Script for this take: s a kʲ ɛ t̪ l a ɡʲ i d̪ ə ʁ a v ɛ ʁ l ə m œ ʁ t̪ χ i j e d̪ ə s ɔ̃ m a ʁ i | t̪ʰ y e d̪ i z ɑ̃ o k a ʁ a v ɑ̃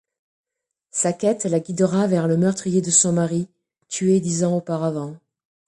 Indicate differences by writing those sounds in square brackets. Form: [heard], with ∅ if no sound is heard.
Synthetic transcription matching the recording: s a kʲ ɛ t̪ l a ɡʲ i d̪ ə ʁ a v ɛ ʁ l ə m œ ʁ t̪ χ i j e d̪ ə s ɔ̃ m a ʁ i | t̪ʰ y e d̪ i z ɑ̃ o [p] a ʁ a v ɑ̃

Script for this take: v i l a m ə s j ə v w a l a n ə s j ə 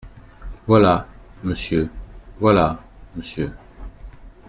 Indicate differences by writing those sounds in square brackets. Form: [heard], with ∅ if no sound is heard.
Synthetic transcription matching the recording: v [a] l a m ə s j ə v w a l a [m] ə s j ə

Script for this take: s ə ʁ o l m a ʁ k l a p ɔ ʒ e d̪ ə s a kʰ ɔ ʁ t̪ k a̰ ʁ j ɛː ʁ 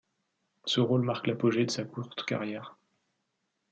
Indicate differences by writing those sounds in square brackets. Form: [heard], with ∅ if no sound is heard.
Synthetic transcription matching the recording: s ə ʁ o l m a ʁ k l a p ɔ ʒ e d̪ ə s a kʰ [u] ʁ t̪ k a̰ ʁ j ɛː ʁ

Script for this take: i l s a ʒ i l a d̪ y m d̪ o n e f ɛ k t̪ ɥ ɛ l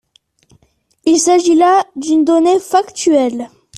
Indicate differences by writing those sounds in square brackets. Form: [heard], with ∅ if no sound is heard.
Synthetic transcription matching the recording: i l s a ʒ i l a d̪ y [n] d̪ [ɔ] n e f [a] k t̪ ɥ ɛ l

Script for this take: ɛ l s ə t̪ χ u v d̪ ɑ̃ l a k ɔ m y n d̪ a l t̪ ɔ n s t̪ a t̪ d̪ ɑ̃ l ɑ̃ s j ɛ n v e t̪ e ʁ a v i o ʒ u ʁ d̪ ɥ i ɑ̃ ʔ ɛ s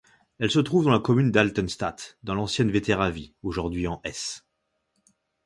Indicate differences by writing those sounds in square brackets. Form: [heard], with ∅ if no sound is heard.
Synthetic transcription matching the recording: ɛ l s ə t̪ χ u v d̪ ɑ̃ l a k ɔ m y n d̪ a l t̪ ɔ n s t̪ a t̪ d̪ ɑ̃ l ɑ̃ s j ɛ n v e t̪ e ʁ a v i o ʒ u ʁ d̪ ɥ i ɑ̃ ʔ ɛ s

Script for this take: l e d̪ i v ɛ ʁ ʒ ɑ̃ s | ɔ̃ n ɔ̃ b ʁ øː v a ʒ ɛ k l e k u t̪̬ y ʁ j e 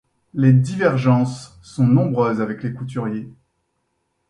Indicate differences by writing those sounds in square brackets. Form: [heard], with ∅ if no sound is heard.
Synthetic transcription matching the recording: l e d̪ i v ɛ ʁ ʒ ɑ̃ [sː] | ɔ̃ n ɔ̃ b ʁ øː [z] a [v] ɛ k l e k u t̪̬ y ʁ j e

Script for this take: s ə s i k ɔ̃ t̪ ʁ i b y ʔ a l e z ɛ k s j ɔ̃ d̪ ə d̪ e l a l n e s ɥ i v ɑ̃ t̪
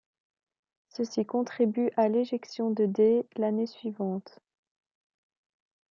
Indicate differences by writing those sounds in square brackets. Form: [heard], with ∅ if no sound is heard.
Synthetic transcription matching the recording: s ə s i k ɔ̃ t̪ [χ] i b y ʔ a l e [ʒ] ɛ k s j ɔ̃ d̪ ə d̪ e l a [∅] n e s ɥ i v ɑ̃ t̪

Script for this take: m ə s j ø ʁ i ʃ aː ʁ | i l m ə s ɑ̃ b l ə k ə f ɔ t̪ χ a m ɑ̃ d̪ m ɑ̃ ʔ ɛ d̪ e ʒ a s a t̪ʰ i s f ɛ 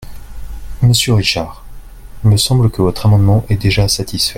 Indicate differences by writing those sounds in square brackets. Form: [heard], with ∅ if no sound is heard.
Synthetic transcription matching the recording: m ə s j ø ʁ i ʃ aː ʁ | i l m ə s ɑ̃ b l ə k ə [v] ɔ t̪ χ a m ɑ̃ d̪ m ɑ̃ ʔ ɛ d̪ e ʒ a s a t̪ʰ i s f ɛ

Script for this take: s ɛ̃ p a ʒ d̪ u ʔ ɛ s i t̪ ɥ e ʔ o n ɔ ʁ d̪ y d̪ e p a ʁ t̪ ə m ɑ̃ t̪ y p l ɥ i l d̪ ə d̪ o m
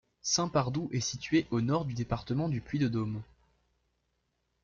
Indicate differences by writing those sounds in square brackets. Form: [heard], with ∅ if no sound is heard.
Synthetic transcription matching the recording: s ɛ̃ p a [ʁ] d̪ u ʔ ɛ s i t̪ ɥ e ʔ o n ɔ ʁ d̪ y d̪ e p a ʁ t̪ ə m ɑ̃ [d̪] y p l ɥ i [∅] d̪ ə d̪ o m

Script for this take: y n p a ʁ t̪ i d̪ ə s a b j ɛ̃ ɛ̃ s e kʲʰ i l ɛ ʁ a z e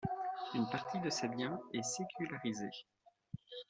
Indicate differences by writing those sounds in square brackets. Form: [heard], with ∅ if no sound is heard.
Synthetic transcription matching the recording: y n p a ʁ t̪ i d̪ ə s [e] b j ɛ̃ [ɛ] s e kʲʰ [y] l [a] ʁ [i] z e

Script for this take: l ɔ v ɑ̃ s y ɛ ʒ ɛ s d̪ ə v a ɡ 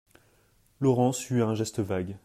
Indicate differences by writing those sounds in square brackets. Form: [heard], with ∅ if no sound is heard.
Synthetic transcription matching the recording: l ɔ [ʁ] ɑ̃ s y [ɛ̃] ʒ ɛ s [t̪] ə v a ɡ

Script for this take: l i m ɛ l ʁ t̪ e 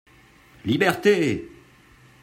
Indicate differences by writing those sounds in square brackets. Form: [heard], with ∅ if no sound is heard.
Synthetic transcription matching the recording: l i [b] ɛ [∅] ʁ t̪ e

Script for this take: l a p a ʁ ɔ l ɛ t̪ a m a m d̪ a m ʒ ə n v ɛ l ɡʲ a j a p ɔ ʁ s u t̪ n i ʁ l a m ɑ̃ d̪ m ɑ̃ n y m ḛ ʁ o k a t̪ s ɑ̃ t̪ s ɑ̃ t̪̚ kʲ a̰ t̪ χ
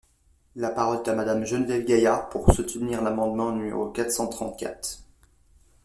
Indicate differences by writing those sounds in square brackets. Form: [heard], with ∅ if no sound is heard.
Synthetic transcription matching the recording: l a p a ʁ ɔ l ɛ t̪ a m a [∅] d̪ a m ʒ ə n v ɛ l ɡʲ a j a p [u] ʁ s u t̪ n i ʁ l a m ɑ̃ d̪ m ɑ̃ n y m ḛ ʁ o k a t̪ s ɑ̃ t̪ [χ] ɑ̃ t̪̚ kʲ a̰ t̪ χ

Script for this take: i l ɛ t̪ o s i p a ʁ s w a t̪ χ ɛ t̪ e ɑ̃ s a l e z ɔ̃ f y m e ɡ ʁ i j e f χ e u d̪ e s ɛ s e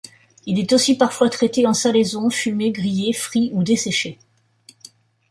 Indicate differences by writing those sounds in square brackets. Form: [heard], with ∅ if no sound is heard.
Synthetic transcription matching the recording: i l ɛ t̪ o s i p a ʁ [f] w a t̪ χ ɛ t̪ e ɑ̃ s a l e z ɔ̃ f y m e ɡ ʁ i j e f χ [i] u d̪ e s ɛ [ʃ] e

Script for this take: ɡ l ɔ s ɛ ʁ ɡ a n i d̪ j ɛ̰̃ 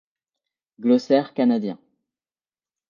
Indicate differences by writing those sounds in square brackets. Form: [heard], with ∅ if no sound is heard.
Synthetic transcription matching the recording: ɡ l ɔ s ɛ ʁ [k] a n [a] d̪ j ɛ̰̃

